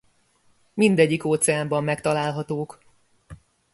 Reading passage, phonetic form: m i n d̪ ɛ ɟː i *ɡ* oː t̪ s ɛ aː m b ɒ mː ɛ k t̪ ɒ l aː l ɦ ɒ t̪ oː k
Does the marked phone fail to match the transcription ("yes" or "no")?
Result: yes